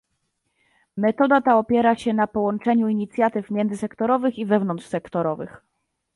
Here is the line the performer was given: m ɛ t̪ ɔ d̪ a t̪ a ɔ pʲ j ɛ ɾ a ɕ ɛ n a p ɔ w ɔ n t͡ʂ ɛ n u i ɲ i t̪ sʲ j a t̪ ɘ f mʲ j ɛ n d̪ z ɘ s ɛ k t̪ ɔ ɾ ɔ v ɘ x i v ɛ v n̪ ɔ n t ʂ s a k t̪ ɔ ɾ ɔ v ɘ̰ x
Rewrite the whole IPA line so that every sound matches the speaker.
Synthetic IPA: m ɛ t̪ ɔ d̪ a t̪ a ɔ pʲ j ɛ ɾ a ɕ ɛ n a p ɔ w ɔ n t͡ʂ ɛ ɲ u i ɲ i t̪ sʲ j a t̪ ɘ f mʲ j ɛ n d̪ z ɘ s ɛ k t̪ ɔ ɾ ɔ v ɘ x i v ɛ v n̪ ɔ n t ʂ s ɛ k t̪ ɔ ɾ ɔ v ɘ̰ x